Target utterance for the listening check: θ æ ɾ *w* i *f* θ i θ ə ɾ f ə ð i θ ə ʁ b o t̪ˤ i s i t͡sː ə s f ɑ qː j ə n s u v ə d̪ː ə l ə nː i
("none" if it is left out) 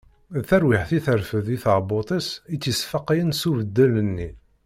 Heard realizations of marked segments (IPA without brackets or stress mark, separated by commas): w, ħ